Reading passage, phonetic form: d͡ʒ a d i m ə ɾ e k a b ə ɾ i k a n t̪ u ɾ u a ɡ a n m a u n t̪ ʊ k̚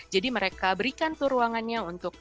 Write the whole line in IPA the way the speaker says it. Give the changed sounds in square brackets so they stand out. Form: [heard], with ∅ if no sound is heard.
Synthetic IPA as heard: d͡ʒ a d i m ə ɾ e k a b ə ɾ i k a n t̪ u ɾ u a [ŋ] a n [ɲ] a u n t̪ ʊ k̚